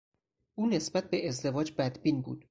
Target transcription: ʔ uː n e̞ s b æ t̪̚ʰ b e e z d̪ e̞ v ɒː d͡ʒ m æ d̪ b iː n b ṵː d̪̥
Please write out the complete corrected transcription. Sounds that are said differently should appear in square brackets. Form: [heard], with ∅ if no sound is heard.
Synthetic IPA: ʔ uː n e̞ s b æ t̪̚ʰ b e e z d̪ e̞ v ɒː d͡ʒ [b] æ d̪ b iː n b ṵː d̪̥